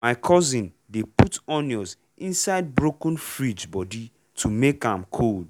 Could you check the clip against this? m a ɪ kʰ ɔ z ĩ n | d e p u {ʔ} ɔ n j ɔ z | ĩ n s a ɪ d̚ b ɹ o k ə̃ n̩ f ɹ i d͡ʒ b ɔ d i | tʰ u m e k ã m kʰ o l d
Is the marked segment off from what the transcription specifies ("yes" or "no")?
yes